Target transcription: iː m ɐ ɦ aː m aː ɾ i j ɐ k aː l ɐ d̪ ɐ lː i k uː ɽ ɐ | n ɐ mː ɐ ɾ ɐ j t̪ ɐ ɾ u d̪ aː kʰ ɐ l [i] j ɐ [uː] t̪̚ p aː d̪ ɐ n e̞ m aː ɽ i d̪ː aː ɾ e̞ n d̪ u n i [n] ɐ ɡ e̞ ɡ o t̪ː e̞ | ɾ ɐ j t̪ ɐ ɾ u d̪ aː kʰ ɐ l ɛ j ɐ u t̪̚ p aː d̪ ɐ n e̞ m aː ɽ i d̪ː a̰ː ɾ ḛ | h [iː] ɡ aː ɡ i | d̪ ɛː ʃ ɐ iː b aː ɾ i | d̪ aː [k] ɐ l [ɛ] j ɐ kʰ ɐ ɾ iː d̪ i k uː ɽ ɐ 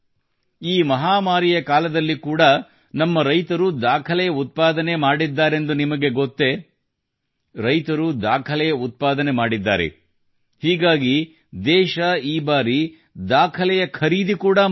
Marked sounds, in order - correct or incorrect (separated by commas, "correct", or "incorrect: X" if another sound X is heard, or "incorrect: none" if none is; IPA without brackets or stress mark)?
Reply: incorrect: ɛ, incorrect: u, incorrect: m, correct, incorrect: kʰ, correct